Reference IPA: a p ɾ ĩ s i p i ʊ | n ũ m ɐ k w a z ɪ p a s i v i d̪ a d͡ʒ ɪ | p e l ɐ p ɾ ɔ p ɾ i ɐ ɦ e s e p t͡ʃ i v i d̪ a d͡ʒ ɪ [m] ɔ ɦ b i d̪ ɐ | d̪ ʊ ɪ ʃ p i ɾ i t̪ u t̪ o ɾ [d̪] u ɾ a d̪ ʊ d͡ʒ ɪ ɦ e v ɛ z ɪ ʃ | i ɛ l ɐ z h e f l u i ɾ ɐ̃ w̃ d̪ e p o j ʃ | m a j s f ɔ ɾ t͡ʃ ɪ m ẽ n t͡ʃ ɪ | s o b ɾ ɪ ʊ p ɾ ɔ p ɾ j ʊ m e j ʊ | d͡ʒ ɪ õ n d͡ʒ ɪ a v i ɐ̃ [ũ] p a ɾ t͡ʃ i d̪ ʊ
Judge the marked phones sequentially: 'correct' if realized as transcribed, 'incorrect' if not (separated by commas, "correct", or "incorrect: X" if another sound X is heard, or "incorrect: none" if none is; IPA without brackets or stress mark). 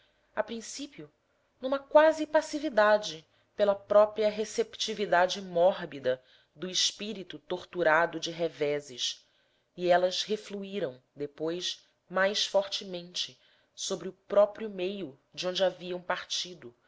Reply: correct, incorrect: t̪, incorrect: w̃